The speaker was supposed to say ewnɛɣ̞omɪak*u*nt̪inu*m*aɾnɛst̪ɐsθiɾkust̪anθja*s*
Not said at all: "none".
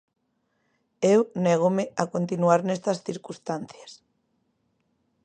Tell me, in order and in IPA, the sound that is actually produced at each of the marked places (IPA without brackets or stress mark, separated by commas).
o, none, s